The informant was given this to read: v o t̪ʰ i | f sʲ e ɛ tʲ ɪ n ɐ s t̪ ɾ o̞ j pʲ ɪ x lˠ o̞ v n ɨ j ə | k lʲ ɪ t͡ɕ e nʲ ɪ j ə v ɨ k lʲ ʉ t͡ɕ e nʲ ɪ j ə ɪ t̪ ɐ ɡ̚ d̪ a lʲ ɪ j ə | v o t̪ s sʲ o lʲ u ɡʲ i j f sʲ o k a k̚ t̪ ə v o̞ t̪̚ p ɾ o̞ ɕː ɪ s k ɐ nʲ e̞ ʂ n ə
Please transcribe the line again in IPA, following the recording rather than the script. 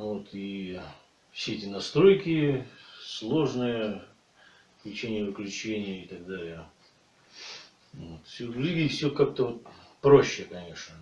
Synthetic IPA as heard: v o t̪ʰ i | f sʲ e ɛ tʲ ɪ n ɐ s t̪ ɾ o̞ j kʲ ɪ s lˠ o̞ ʐ n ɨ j ə | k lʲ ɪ t͡ɕ e nʲ ɪ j ə v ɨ k lʲ ʉ t͡ɕ e nʲ ɪ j ə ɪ t̪ ɐ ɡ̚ d̪ a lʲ ɪ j ə | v o t̪ f sʲ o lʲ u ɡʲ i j f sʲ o k a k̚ t̪ ə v o̞ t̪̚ p ɾ o̞ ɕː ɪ k ɐ nʲ e̞ ʂ n ə